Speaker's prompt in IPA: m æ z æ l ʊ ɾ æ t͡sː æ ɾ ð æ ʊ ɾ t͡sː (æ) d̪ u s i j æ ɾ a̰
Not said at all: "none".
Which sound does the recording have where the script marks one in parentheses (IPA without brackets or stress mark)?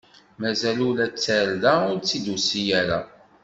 i